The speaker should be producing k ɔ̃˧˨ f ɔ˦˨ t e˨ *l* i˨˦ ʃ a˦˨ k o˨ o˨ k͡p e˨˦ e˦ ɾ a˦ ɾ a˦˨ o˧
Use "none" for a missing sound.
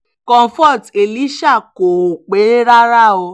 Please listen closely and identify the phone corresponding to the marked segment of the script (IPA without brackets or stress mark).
l